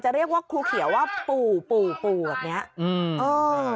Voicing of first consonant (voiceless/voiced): voiceless